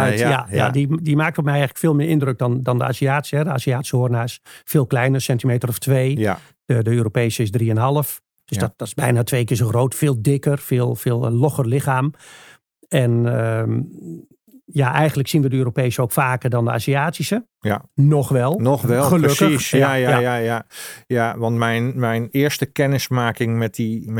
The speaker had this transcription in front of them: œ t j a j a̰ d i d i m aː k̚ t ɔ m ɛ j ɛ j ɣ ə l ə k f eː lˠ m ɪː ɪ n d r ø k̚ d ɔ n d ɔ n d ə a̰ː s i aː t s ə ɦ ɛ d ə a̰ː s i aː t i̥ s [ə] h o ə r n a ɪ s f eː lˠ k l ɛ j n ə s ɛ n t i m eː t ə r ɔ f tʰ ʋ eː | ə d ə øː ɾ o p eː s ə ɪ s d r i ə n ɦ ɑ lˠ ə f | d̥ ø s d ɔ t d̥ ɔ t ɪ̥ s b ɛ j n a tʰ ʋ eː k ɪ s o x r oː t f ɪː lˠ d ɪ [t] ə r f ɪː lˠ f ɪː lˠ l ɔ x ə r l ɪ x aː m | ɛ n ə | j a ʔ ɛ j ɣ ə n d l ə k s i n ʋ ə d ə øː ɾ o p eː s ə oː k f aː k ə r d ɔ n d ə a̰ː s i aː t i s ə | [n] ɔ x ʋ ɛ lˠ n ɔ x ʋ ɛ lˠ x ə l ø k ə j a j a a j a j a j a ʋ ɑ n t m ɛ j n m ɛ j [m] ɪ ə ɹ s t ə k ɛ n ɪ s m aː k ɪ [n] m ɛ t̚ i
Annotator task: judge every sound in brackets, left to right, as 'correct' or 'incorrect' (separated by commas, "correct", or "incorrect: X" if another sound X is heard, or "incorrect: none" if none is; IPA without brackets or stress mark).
correct, incorrect: k, correct, incorrect: n, incorrect: ŋ